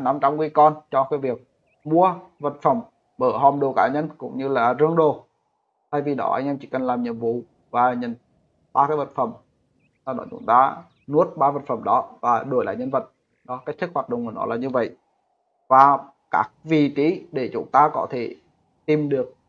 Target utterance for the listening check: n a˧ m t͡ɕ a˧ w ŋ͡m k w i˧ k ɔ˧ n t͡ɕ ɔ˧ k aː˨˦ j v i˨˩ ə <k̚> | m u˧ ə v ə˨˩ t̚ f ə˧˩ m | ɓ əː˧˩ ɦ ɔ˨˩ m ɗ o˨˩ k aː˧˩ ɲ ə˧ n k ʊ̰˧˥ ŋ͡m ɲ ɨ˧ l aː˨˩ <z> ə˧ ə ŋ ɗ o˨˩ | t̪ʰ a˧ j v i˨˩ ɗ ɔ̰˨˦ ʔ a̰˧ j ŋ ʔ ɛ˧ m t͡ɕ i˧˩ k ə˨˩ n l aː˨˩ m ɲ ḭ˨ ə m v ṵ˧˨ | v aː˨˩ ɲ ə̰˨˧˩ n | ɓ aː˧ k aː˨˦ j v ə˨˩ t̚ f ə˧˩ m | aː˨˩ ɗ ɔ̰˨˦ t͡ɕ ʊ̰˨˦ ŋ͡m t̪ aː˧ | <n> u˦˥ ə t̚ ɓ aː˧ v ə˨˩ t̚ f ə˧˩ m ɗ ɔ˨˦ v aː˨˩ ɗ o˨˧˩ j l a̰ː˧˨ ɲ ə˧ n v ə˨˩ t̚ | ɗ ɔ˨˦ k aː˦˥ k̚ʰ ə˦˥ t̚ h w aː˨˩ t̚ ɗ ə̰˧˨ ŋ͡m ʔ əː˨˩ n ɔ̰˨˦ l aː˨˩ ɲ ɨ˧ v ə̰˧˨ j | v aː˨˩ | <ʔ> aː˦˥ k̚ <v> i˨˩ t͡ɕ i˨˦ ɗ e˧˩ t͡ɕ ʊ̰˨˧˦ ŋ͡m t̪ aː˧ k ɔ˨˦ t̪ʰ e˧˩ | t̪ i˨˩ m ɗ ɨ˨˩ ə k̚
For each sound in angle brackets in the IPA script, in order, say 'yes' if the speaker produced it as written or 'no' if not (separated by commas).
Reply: yes, yes, yes, no, yes